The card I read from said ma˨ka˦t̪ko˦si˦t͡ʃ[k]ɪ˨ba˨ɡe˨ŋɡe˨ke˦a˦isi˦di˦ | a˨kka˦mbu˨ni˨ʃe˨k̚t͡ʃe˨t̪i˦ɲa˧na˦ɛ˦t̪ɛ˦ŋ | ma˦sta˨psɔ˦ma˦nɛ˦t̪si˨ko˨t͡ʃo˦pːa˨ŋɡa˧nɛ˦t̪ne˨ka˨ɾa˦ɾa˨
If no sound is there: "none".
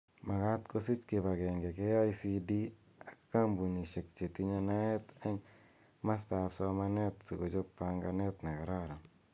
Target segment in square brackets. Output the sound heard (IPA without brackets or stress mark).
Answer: k